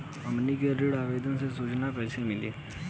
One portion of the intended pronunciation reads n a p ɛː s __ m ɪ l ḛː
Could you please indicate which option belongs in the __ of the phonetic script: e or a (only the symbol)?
e